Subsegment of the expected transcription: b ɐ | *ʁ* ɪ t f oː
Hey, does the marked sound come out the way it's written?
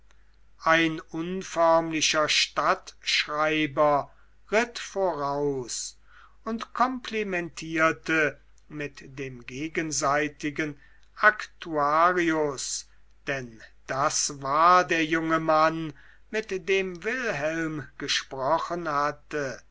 yes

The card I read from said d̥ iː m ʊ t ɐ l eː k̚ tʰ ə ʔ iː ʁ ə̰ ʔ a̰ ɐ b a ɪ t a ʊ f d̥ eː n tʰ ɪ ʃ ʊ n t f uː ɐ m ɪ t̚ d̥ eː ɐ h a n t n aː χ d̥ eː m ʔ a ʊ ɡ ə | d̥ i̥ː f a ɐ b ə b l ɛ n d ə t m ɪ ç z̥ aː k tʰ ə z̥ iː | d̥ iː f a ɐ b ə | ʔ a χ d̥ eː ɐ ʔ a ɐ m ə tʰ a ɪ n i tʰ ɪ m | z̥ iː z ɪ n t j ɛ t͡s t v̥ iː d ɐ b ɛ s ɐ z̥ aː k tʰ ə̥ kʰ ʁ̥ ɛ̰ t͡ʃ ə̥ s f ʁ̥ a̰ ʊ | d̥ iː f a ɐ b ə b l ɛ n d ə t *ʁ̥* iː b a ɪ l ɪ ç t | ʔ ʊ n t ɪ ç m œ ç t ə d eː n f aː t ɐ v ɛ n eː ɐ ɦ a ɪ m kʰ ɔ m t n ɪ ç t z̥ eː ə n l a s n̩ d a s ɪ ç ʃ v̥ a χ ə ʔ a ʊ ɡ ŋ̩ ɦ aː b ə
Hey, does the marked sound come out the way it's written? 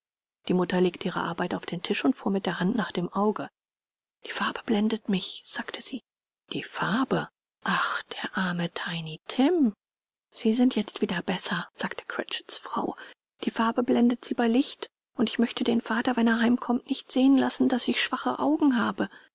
no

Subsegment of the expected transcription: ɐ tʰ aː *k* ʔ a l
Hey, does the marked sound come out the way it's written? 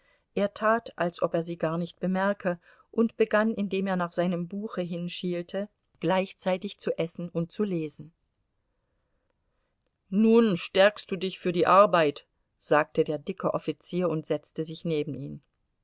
no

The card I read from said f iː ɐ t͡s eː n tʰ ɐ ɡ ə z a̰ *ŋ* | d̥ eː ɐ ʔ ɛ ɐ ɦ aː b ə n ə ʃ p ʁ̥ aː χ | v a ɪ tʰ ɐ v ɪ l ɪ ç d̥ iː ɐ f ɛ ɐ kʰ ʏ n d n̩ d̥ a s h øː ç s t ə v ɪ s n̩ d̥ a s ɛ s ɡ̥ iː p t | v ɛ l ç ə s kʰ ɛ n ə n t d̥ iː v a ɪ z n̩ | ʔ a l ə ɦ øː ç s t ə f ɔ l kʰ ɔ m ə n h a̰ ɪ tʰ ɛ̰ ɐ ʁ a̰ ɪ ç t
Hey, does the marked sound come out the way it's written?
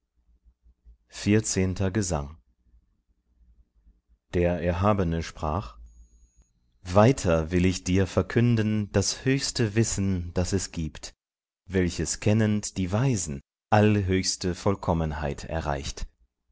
yes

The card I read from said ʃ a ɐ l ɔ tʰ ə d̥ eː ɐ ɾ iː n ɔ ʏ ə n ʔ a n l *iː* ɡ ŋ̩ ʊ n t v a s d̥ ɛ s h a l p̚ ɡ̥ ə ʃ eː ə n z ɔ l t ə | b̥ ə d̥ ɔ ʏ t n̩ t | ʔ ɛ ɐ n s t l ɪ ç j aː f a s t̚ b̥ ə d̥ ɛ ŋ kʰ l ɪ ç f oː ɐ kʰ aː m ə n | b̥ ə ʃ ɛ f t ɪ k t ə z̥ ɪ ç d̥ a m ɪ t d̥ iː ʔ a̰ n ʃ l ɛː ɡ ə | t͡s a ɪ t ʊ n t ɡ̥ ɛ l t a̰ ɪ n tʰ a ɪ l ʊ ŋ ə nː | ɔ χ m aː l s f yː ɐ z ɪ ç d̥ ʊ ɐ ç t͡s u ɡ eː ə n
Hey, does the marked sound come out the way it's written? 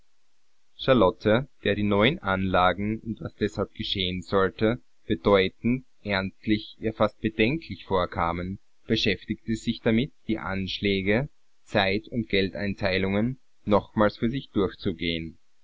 no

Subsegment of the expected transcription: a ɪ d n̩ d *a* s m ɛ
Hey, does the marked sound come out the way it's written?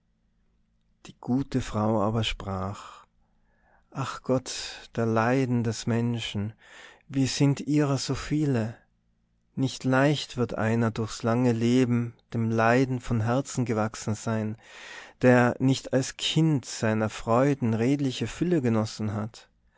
no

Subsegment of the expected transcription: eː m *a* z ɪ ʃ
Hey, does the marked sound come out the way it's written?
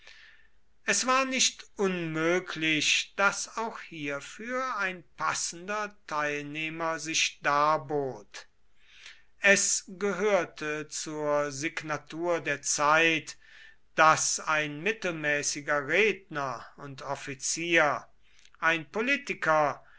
no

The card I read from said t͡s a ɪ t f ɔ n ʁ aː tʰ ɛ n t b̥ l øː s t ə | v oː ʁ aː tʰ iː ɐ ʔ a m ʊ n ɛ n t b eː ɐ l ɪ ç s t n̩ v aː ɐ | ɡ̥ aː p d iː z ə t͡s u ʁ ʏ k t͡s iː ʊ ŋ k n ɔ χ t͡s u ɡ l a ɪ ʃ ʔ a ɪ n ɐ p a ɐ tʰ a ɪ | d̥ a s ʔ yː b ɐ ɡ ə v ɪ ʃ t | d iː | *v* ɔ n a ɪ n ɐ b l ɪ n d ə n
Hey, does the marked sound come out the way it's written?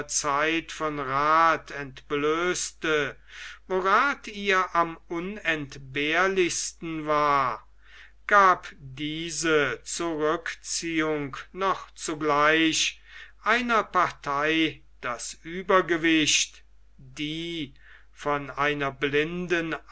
no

